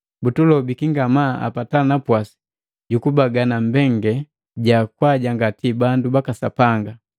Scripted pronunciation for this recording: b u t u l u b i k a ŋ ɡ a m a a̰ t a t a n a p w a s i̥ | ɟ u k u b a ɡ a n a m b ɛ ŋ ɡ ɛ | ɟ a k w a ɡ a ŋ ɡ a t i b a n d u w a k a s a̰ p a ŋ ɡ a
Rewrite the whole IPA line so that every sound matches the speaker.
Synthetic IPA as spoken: b u t u l ɔ b i k i ŋ ɡ a m a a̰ p a t a n a p w a s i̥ | ɟ u k u b a ɡ a n a m b ɛ ŋ ɡ ɛ | ɟ a k w a ɟ a ŋ ɡ a t i b a n d u b a k a s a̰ p a ŋ ɡ a

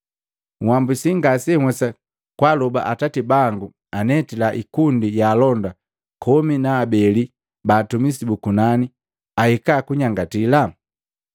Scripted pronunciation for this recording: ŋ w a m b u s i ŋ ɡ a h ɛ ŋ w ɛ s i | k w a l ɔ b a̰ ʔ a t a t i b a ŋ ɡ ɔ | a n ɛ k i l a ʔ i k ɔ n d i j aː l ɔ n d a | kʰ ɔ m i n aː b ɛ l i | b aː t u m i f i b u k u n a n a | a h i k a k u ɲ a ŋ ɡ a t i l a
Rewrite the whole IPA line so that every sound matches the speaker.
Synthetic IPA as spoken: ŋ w a m b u s i ŋ ɡ a s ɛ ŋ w ɛ s a | k w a l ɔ b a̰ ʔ a t a t i b a ŋ ɡ u | a n ɛ t i l a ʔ i k u n d i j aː l ɔ n d a | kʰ ɔ m i n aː b ɛ l i | b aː t u m i s i b u k u n a n i | a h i k a k u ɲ a ŋ ɡ a t i l a

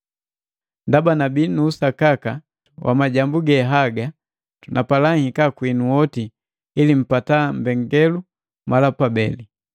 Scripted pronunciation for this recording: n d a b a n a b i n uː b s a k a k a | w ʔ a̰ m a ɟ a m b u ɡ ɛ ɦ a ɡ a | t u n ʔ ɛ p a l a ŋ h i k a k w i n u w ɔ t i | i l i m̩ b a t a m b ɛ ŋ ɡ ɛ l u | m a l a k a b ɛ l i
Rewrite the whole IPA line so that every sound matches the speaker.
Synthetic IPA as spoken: n d a b a n a b i n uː s a k a k a | w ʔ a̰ m a ɟ a m b u ɡ ɛ ɦ a ɡ a | t u n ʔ a p a l a ŋ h i k a k w i n u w ɔ t i | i l i m̩ p a t a m b ɛ ŋ ɡ ɛ l u | m a l a p a b ɛ l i

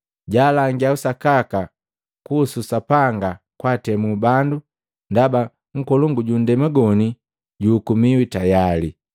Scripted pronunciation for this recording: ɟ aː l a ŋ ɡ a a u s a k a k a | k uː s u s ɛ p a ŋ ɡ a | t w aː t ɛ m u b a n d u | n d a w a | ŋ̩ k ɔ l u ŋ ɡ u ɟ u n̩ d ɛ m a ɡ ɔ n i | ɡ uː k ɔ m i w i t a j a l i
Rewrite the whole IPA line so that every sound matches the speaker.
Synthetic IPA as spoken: ɟ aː l a ŋ ɡ i a u s a k a k a | k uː s u s a p a ŋ ɡ a | k w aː t ɛ m u b a n d u | n d a b a | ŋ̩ k ɔ l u ŋ ɡ u ɟ u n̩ d ɛ m a ɡ ɔ n i | ɟ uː k u m i w i t a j a l i

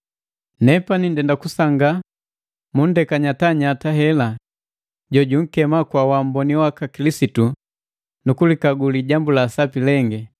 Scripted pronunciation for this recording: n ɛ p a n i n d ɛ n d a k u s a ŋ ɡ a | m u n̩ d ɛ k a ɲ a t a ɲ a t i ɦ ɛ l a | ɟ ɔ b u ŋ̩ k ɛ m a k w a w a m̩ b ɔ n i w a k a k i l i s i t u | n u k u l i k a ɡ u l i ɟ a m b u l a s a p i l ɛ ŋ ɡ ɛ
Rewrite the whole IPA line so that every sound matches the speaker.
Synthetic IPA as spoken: n ɛ p a n i n d ɛ n d a k u s a ŋ ɡ a | m u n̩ d ɛ k a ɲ a t a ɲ a t a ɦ ɛ l a | ɟ ɔ ɟ u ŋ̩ k ɛ m a k w a w a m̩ b ɔ n i w a k a k i l i s i t u | n u k u l i k a ɡ u l i ɟ a m b u l a s a p i l ɛ ŋ ɡ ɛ

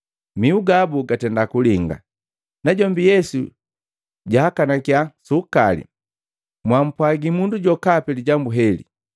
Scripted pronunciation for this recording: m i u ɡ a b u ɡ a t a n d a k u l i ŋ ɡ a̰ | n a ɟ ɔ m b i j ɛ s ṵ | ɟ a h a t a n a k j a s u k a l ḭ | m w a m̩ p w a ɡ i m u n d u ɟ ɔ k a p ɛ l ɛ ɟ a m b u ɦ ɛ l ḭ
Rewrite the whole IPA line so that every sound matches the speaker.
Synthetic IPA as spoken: m i u ɡ a b u ɡ a t ɛ n d a k u l i ŋ ɡ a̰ | n a ɟ ɔ m b i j ɛ s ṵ | ɟ a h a k a n a k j a s u k a l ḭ | m w a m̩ p w a ɡ i m u n d u ɟ ɔ k a p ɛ l i ɟ a m b u ɦ ɛ l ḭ

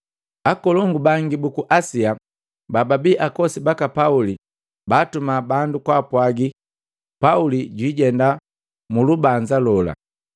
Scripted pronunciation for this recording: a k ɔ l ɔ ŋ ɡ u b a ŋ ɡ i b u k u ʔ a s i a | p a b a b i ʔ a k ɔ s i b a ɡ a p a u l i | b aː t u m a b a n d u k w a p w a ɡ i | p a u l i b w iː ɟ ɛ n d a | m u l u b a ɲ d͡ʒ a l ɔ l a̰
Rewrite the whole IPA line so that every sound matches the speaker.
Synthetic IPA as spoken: a k ɔ l ɔ ŋ ɡ u b a ŋ ɡ i b u k u ʔ a s i a | b a b a b i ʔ a k ɔ s i b a k a p a u l i | b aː t u m a b a n d u k w a p w a ɡ i | p a u l i ɟ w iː ɟ ɛ n d a | m u l u b a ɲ d͡ʒ a l ɔ l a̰

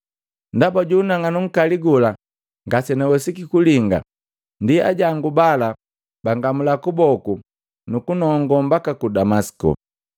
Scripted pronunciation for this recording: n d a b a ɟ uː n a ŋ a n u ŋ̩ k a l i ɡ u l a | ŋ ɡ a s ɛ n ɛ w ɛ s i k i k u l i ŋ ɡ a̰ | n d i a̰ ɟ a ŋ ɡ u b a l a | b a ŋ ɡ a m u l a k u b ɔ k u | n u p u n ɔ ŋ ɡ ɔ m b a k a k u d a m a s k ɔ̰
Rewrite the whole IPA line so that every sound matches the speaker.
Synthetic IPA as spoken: n d a b a ɟ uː n a ŋ a n u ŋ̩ k a l i ɡ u l a | ŋ ɡ a s ɛ n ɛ w ɛ s i k i k u l i ŋ ɡ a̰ | n d i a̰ ɟ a ŋ ɡ u b a l a | b a ŋ ɡ a m u l a k u b ɔ k u | n u k u n ɔ ŋ ɡ ɔ m b a k a k u d a m a s k ɔ̰

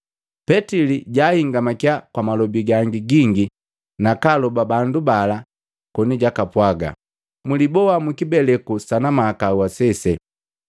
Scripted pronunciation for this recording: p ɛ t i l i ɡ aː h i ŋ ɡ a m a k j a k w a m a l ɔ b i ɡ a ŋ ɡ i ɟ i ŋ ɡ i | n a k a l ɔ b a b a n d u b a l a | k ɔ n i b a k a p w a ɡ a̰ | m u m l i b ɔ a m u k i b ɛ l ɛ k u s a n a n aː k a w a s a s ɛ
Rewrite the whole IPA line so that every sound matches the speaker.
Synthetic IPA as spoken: p ɛ t i l i ɟ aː h i ŋ ɡ a m a k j a k w a m a l ɔ b i ɡ a ŋ ɡ i ɡ i ŋ ɡ i | n a k a l ɔ b a b a n d u b a l a | k ɔ n i ɟ a k a p w a ɡ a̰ | m u l i b ɔ a m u k i b ɛ l ɛ k u s a n a m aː k a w a s ɛ s ɛ

